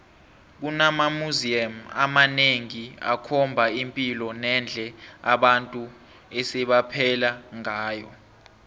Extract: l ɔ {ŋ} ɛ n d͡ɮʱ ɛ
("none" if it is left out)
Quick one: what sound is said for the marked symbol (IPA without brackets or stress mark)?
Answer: n